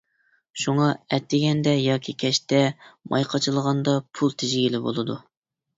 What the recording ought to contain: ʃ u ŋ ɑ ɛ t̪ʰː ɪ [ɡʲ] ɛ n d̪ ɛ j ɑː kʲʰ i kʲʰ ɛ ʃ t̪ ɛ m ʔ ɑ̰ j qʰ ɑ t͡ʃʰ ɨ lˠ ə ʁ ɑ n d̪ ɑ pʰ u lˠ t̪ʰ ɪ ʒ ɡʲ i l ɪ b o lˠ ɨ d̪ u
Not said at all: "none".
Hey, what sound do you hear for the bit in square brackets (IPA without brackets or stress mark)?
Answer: ɡʲ